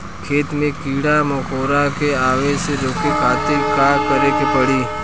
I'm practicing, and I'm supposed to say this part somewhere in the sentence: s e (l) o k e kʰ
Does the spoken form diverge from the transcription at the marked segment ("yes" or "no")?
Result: yes